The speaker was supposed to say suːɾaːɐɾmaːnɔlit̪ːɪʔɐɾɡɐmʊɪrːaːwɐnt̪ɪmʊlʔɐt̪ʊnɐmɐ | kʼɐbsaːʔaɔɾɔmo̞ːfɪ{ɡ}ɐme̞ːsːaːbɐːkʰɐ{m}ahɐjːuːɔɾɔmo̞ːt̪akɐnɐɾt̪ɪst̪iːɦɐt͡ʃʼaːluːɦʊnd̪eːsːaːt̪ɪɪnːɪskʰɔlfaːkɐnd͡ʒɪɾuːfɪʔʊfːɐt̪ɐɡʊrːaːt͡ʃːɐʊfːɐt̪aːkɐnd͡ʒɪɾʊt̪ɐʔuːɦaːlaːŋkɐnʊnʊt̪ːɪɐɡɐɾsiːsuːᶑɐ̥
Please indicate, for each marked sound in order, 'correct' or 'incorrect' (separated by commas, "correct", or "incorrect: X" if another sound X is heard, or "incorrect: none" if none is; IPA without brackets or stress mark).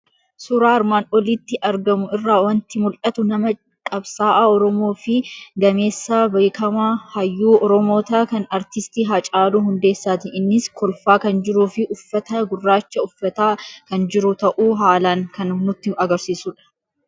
correct, correct